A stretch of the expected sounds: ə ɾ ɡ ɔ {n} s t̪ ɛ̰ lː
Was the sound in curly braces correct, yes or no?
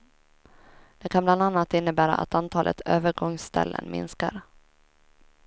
no